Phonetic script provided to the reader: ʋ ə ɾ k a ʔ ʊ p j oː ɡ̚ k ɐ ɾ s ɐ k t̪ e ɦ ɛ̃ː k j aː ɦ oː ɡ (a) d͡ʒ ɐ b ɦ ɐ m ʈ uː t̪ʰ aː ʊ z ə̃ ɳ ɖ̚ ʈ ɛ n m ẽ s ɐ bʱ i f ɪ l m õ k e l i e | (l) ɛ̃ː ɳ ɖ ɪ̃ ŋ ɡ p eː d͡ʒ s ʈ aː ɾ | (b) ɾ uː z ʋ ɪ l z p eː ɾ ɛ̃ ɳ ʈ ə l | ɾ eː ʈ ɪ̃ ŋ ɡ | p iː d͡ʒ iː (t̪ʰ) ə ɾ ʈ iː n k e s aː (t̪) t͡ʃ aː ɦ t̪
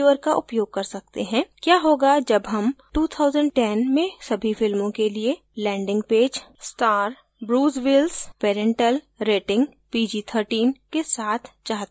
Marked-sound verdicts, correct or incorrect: correct, correct, correct, correct, incorrect: t̪ʰ

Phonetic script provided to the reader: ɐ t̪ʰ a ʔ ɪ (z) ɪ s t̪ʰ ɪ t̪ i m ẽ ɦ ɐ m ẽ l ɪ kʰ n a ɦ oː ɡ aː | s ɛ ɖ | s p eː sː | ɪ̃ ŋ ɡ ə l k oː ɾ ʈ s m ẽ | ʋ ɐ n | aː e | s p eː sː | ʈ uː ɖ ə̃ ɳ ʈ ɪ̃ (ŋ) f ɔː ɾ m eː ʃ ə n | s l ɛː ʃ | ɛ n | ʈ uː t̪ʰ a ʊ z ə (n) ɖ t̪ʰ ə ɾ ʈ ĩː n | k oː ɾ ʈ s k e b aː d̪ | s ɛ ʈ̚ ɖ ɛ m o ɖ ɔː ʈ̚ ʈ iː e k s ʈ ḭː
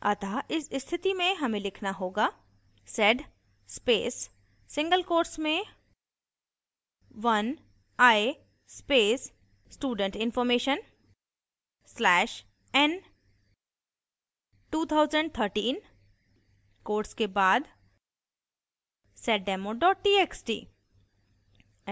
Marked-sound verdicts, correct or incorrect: incorrect: s, incorrect: n, incorrect: ɳ

